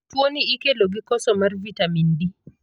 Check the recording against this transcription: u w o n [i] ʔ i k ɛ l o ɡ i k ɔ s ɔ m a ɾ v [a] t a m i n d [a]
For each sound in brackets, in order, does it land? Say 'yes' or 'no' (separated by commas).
yes, no, no